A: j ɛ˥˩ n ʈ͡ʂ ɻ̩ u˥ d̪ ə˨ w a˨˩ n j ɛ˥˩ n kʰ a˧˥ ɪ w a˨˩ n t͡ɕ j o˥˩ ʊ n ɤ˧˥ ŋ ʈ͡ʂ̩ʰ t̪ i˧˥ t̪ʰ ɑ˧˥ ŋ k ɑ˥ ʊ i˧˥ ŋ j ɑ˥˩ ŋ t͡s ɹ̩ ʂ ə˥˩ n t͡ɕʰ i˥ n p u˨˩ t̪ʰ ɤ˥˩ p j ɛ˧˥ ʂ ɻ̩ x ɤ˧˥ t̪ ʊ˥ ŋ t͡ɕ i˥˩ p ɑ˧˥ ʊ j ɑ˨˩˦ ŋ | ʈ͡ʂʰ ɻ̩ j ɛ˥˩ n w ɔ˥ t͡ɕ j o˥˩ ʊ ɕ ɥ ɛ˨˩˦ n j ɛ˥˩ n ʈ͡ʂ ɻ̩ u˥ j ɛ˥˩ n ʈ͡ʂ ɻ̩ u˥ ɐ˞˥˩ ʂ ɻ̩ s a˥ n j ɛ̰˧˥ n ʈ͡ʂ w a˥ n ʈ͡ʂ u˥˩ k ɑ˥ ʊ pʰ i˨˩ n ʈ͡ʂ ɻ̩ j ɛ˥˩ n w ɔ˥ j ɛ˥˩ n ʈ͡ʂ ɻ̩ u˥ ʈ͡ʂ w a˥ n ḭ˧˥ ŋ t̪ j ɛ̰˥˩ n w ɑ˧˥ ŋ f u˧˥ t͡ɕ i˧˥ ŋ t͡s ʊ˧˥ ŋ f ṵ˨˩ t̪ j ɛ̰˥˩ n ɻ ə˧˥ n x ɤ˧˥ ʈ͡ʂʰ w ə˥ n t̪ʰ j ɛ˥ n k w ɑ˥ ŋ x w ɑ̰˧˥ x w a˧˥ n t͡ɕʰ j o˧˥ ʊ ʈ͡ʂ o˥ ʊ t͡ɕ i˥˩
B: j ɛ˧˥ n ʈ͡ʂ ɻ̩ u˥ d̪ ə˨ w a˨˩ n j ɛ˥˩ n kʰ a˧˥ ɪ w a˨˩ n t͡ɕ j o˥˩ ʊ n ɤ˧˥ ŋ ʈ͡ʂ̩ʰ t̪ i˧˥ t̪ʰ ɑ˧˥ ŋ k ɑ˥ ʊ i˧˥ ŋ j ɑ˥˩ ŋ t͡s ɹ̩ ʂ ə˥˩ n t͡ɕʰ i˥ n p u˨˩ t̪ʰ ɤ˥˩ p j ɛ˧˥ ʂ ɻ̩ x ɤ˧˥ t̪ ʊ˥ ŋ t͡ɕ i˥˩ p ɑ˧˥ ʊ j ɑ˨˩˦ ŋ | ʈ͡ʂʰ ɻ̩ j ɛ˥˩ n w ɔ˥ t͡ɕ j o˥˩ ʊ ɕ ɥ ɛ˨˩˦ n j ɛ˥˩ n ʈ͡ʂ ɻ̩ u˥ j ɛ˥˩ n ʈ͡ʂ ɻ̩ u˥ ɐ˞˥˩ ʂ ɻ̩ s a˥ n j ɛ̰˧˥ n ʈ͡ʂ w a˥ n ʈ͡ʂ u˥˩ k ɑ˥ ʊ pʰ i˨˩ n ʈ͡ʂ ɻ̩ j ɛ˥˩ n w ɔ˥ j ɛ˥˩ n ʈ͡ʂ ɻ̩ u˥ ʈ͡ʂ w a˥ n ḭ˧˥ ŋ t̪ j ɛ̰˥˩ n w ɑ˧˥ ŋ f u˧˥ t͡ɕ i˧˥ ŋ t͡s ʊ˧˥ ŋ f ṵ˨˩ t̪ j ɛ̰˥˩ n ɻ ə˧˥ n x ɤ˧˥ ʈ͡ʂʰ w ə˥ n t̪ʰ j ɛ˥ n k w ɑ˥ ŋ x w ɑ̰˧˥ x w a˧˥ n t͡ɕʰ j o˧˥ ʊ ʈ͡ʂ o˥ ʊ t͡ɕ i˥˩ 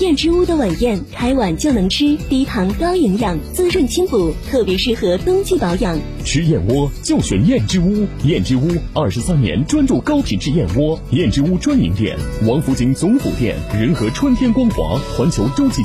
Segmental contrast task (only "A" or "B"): A